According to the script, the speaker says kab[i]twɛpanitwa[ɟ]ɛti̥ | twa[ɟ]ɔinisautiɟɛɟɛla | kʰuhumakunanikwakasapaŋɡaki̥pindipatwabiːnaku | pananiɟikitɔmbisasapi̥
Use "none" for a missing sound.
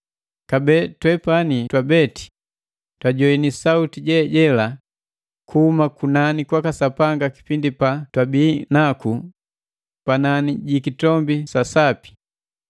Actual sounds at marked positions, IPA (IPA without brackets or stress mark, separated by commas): ɛ, b, ɟ